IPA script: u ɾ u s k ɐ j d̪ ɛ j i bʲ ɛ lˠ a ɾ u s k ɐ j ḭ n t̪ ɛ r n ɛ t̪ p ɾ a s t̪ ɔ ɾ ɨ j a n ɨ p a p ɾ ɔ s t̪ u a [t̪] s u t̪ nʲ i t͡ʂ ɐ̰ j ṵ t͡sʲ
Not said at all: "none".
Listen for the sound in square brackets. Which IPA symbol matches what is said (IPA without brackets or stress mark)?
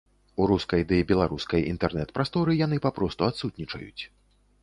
t̪